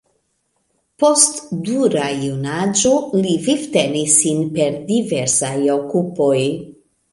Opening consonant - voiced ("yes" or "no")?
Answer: no